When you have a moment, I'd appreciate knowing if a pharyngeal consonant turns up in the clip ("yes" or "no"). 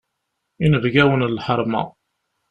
yes